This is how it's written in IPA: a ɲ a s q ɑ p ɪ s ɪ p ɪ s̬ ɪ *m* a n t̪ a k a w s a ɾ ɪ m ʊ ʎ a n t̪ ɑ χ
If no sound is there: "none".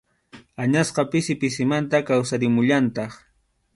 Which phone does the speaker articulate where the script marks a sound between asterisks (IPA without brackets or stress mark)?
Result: m